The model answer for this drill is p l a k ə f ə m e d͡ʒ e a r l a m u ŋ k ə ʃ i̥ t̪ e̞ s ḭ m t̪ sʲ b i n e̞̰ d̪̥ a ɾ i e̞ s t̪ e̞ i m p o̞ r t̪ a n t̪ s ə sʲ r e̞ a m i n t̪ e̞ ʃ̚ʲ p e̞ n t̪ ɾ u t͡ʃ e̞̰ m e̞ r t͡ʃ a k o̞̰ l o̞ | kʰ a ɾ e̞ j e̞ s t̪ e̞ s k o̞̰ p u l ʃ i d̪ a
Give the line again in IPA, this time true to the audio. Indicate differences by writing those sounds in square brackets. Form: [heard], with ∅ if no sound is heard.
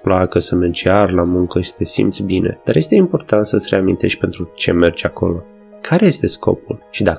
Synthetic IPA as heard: p l a k ə [s] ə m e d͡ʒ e a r l a m u ŋ k ə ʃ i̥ t̪ e̞ s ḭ m t̪ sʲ b i n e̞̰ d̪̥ a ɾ [j] e̞ s t̪ e̞ i m p o̞ r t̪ a n t̪ s ə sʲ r e̞ a m i n t̪ e̞ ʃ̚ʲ p e̞ n t̪ ɾ u t͡ʃ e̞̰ m e̞ r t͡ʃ a k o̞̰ l o̞ | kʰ a ɾ e̞ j e̞ s t̪ e̞ s k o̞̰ p u l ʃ i d̪ a